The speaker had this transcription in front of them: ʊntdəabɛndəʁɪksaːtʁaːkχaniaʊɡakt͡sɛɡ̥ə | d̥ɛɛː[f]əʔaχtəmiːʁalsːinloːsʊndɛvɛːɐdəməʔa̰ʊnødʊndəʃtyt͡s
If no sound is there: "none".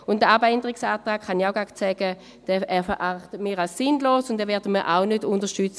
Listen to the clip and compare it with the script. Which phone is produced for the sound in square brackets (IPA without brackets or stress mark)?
f